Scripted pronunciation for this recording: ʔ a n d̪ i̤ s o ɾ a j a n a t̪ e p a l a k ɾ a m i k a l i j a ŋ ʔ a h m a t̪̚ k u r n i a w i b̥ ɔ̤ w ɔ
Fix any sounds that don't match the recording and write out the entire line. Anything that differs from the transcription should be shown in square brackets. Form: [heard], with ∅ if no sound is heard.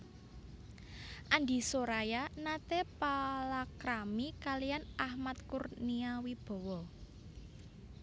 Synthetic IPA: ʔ a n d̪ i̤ s o ɾ a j a n a t̪ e p a l a k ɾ a m i k a l i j a [n] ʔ a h m a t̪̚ k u r n i a w i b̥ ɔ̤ w ɔ